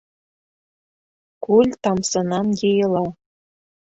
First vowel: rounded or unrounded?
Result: rounded